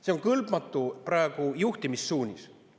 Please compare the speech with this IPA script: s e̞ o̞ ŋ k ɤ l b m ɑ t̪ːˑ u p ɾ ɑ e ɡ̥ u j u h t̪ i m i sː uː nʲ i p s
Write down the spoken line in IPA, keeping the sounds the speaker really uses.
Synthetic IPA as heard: s e̞ o̞ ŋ k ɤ l b m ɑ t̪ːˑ u p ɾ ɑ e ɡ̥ u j u h t̪ i m i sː uː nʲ i s